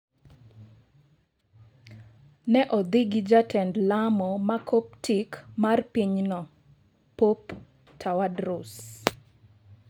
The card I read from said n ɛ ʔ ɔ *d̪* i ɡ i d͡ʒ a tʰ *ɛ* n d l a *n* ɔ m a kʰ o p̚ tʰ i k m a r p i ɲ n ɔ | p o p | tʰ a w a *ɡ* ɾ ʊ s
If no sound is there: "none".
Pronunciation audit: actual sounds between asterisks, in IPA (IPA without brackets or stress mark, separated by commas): d̪, ɛ, m, d